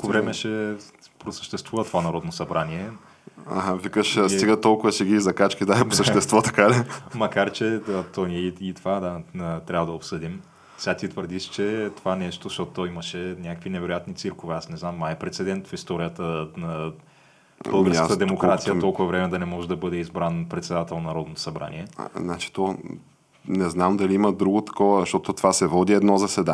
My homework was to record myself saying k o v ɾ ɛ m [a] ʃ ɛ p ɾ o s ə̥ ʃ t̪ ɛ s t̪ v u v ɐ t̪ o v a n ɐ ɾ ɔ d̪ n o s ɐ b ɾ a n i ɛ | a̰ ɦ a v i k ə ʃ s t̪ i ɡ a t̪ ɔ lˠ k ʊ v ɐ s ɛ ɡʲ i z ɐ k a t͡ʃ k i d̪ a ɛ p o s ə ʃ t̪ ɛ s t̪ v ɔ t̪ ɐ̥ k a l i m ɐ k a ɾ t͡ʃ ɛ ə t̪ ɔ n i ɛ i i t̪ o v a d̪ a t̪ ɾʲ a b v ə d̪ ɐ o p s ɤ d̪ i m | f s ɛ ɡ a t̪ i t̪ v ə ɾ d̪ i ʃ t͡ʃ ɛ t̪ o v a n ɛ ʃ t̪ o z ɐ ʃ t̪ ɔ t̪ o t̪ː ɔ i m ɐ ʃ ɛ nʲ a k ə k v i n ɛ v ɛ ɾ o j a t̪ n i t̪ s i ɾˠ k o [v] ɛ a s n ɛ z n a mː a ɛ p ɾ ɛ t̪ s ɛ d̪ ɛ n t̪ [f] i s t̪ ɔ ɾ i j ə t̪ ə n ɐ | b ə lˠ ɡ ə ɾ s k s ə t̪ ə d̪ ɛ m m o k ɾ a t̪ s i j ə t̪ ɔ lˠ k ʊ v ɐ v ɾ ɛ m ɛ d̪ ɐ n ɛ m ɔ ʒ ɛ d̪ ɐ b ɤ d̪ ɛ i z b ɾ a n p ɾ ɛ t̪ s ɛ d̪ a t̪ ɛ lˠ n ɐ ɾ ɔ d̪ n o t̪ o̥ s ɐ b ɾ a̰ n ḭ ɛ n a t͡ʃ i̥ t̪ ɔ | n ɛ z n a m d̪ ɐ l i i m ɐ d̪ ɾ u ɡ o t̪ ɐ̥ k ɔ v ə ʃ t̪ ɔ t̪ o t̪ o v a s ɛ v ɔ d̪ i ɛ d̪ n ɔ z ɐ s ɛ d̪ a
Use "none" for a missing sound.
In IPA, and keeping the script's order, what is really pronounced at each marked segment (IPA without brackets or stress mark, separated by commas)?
ɛ, v, f